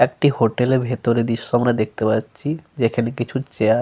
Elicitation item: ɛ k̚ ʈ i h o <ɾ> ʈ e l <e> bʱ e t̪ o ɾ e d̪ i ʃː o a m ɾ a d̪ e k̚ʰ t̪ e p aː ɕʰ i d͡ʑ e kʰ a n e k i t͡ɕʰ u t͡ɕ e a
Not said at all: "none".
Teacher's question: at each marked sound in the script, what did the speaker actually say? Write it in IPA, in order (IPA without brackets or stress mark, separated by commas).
none, e